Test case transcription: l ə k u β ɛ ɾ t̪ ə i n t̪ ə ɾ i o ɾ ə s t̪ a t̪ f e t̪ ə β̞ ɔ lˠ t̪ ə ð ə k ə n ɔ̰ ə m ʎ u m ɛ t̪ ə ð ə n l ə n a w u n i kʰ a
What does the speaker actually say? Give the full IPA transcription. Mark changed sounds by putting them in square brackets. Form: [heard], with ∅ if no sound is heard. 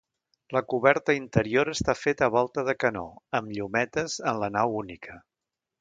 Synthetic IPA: l ə k u β ɛ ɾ t̪ ə i n t̪ ə ɾ i o ɾ ə s t̪ a [∅] f e t̪ ə β̞ ɔ lˠ t̪ ə ð ə k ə n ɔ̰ ə m ʎ u m ɛ t̪ ə [z] ə n l ə n a w u n i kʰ [ə]

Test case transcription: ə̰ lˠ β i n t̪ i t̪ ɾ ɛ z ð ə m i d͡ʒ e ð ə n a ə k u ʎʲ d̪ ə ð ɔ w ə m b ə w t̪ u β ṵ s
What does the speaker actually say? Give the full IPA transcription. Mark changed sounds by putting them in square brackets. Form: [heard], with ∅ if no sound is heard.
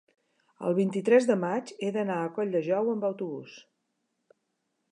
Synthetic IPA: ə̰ lˠ β i n t̪ i t̪ ɾ ɛ z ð ə m [a] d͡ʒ e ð ə n a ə k [ɔ] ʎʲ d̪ ə [ʒ] ɔ w ə m b ə w t̪ u β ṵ s

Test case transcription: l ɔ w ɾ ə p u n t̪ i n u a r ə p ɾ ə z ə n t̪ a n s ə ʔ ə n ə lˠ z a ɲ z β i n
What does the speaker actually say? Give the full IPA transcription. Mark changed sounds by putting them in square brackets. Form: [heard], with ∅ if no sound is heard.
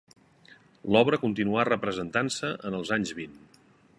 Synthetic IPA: l ɔ [β] ɾ ə [k] u n t̪ i n u a r ə p ɾ ə z ə n t̪ a n s ə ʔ ə n ə lˠ z a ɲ z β i n

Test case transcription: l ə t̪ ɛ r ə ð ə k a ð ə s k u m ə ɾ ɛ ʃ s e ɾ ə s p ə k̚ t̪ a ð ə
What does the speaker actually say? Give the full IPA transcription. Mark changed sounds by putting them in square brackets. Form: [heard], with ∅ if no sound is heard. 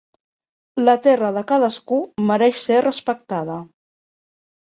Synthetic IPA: l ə t̪ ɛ r ə ð ə k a ð ə s k u m ə ɾ ɛ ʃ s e [r] ə s p ə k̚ t̪ a ð ə

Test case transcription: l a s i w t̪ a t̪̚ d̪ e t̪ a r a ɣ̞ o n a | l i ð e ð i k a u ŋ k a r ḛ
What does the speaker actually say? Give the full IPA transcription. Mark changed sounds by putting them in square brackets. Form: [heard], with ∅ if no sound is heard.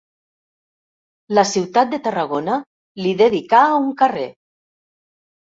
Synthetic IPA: l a s i w t̪ a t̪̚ d̪ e t̪ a r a ɣ̞ o n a | l i ð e ð i k a u ŋ k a r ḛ

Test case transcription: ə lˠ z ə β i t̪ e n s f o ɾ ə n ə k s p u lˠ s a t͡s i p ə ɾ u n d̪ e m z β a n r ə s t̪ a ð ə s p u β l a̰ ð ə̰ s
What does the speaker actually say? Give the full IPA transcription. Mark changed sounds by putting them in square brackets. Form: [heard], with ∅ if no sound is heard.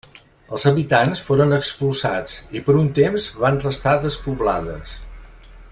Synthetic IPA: ə lˠ z ə β i t̪ [a] n s f o ɾ ə n ə k s p u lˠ s a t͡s i p ə ɾ u n [t̪] e m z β a n r ə s t̪ a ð ə s p u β l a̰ ð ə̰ s

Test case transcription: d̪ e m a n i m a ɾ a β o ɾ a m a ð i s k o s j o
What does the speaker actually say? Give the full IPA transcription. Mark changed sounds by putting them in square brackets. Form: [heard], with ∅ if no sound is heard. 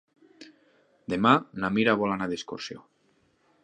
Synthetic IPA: d̪ e m a n [a] m [i] ɾ a β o [l] a [n] a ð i s k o s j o

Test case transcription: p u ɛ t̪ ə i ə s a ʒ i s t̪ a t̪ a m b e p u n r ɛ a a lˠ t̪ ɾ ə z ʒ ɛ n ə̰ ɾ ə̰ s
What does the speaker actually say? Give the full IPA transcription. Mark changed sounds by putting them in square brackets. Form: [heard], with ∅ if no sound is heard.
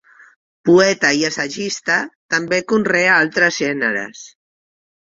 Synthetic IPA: p u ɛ t̪ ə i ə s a ʒ i s t̪ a t̪ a m b e [k] u n r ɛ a a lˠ t̪ ɾ ə z ʒ ɛ n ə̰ ɾ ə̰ s

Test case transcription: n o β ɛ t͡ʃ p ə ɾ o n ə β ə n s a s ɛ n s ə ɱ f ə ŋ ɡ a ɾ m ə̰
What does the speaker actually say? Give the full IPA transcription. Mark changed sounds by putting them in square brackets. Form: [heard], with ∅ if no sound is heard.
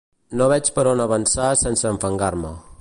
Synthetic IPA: n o β ɛ t͡ʃ p ə ɾ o n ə β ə n s a s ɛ n s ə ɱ f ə ŋ ɡ a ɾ m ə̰

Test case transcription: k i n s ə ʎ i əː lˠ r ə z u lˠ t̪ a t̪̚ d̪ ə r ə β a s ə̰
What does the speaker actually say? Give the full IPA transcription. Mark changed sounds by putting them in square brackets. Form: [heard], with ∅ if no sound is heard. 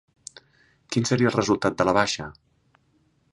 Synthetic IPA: k i n s ə [ɾ] i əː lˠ r ə z u lˠ t̪ a t̪̚ d̪ ə [l] ə β a [ʃ] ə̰

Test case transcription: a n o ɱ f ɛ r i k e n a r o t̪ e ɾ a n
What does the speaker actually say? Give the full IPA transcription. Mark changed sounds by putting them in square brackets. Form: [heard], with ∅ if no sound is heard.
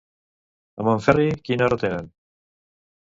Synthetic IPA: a [m] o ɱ f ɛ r i k [i] n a r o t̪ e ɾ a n

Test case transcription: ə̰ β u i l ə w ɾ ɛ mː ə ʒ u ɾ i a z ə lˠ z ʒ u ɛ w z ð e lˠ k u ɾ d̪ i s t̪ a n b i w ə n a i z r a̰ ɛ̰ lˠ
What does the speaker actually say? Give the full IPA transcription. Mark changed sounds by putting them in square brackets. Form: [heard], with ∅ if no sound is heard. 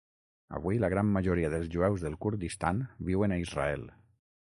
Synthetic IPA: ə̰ β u i l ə [ɣ] ɾ [a] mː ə ʒ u ɾ i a [ð] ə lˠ z ʒ u ɛ w z ð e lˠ k u ɾ d̪ i s t̪ a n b i w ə n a i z r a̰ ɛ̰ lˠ

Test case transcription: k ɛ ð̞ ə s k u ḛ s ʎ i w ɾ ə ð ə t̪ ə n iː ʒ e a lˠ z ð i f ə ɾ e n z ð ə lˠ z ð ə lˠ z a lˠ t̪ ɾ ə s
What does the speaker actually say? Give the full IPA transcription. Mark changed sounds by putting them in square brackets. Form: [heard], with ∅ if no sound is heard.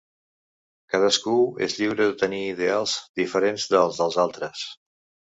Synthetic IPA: k [a] ð̞ ə s k u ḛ [z] ʎ i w ɾ ə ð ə t̪ ə n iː [ð] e a lˠ z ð i f ə ɾ e n z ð ə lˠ z ð ə lˠ z a lˠ t̪ ɾ ə s

